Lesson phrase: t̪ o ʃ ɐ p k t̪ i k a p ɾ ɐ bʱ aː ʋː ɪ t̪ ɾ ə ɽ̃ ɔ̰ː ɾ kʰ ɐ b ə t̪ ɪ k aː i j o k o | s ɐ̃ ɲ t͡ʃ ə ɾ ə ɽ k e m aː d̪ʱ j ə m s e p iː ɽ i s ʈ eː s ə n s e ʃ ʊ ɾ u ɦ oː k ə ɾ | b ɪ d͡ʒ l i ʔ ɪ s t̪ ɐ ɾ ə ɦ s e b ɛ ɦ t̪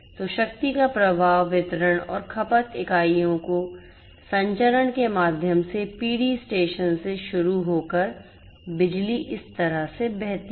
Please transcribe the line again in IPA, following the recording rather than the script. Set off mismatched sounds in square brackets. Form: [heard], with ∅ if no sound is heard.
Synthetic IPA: t̪ o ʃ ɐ [∅] k t̪ i k a p ɾ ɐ bʱ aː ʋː ɪ t̪ ɾ ə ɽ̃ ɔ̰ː ɾ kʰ ɐ [p] ə t̪ ɪ k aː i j [õ] k o | s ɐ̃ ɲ t͡ʃ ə ɾ ə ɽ k e m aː d̪ʱ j ə m s e p iː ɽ i s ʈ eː [ʃ] ə n s e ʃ ʊ ɾ u ɦ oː k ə ɾ | b ɪ d͡ʒ l i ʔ ɪ s t̪ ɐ ɾ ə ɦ s e b ɛ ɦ t̪

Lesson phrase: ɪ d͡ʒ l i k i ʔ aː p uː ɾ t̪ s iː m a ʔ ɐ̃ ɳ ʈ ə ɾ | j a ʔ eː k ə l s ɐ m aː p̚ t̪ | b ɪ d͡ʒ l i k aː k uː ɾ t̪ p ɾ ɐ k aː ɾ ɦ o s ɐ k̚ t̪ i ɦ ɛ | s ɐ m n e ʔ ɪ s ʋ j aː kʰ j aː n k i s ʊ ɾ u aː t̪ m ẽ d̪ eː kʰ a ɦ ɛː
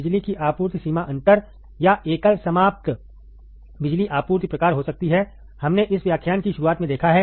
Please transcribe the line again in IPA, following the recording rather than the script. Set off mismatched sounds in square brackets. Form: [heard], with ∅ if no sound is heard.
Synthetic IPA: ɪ d͡ʒ l i k i ʔ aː p uː ɾ t̪ s iː m a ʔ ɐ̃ ɳ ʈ ə ɾ | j a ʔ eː k ə l s ɐ m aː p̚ t̪ | b ɪ d͡ʒ l i [ʔ] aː [p] uː ɾ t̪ p ɾ ɐ k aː ɾ ɦ o s ɐ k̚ t̪ i ɦ ɛ | [h] ɐ m n e ʔ ɪ s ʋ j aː kʰ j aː n k i [ʃ] ʊ ɾ u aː t̪ m ẽ d̪ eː kʰ a ɦ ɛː

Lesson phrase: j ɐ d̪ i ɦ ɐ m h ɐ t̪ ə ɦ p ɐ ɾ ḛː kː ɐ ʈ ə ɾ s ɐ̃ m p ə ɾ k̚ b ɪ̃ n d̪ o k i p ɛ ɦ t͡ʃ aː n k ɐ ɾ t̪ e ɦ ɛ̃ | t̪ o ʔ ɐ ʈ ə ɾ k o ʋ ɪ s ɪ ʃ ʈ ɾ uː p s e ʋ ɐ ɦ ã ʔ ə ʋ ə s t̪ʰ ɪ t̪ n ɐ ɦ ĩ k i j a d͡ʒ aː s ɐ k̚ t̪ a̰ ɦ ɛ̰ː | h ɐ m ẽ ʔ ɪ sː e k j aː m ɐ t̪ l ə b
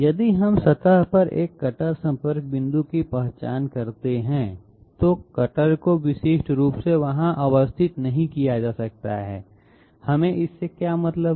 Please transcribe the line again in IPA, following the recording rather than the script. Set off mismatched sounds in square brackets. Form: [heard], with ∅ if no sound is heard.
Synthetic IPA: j ɐ d̪ i ɦ ɐ m [s] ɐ t̪ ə ɦ p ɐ ɾ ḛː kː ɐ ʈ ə ɾ s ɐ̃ m p ə ɾ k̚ b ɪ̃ n d̪ [u] k i p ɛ ɦ t͡ʃ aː n k ɐ ɾ t̪ e ɦ ɛ̃ | t̪ o [k] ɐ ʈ ə ɾ k o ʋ ɪ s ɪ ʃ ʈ ɾ uː p s e ʋ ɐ ɦ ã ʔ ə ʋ ə s t̪ʰ ɪ t̪ n ɐ ɦ ĩ k i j a d͡ʒ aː s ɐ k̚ t̪ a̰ ɦ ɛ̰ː | h ɐ m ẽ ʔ ɪ sː e k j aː m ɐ t̪ l ə b

